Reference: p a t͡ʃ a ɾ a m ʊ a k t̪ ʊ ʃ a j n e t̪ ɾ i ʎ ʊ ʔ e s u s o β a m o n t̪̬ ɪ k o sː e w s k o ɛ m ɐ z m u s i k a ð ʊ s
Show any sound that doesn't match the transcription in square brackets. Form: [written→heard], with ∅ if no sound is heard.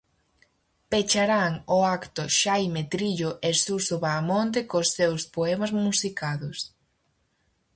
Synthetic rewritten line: p [a→e] t͡ʃ a ɾ a [m→ŋ] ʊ a k t̪ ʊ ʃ a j [n→m] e t̪ ɾ i ʎ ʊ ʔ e s u s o β a m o n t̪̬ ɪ k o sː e w s [k→p] o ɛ m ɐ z m u s i k a ð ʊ s